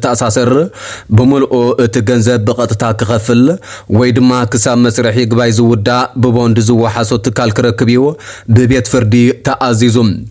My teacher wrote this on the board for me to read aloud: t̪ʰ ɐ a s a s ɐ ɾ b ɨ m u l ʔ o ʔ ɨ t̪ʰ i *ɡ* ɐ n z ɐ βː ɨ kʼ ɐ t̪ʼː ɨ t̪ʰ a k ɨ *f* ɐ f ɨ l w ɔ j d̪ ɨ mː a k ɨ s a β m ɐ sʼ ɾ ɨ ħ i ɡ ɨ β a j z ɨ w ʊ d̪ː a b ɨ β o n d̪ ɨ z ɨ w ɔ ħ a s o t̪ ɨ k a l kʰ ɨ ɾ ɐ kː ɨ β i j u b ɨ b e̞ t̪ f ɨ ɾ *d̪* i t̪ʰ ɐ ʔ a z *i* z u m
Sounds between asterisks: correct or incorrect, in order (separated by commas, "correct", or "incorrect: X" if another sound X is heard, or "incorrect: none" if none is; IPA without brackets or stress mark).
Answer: correct, incorrect: x, correct, correct